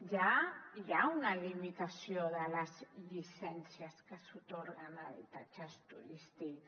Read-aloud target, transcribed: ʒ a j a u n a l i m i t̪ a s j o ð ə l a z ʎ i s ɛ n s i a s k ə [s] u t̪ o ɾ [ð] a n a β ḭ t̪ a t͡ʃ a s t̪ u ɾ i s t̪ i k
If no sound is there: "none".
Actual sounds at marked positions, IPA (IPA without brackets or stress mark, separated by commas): s, ɣ